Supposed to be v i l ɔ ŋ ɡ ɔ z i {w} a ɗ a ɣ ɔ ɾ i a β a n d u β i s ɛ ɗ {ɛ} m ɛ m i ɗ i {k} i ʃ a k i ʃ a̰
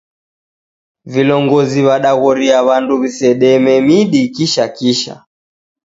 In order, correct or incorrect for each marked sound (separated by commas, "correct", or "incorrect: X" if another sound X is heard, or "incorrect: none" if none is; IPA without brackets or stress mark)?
incorrect: β, correct, correct